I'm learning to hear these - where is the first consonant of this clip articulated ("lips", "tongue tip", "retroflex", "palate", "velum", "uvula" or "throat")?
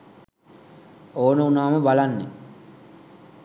tongue tip